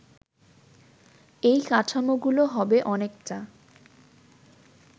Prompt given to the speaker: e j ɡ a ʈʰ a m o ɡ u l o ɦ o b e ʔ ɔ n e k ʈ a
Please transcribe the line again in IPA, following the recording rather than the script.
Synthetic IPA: e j k a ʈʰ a m o ɡ u l o ɦ ɔ b e ʔ ɔ n e k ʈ a